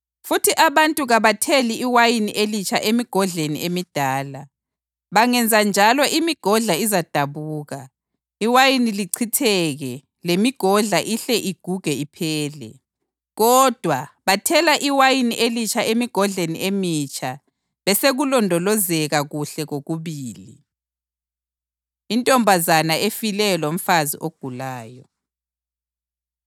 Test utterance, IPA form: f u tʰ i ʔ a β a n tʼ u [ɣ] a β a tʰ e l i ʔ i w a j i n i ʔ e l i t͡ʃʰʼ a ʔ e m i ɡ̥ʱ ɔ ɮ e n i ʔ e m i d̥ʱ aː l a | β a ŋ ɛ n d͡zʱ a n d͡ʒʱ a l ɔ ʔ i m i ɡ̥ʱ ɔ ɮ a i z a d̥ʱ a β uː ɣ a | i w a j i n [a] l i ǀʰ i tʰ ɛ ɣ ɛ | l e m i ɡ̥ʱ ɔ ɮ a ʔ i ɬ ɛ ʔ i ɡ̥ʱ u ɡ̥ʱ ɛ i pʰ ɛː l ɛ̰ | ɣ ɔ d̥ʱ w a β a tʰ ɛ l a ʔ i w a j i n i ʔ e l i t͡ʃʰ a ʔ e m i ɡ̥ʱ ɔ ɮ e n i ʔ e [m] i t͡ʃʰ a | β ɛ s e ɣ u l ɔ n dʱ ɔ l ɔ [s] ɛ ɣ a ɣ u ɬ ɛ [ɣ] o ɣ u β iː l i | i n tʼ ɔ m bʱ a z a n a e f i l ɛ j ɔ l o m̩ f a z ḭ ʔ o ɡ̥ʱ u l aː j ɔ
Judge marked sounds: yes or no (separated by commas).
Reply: yes, no, yes, no, yes